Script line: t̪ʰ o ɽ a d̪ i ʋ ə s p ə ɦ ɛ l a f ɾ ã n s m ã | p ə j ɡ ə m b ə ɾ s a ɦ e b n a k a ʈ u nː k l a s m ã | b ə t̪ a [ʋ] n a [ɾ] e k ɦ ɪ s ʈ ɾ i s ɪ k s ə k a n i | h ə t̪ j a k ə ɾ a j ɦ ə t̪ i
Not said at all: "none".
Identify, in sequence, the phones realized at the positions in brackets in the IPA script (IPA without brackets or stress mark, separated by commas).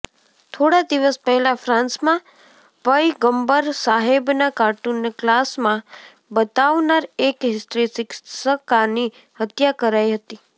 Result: ʋ, ɾ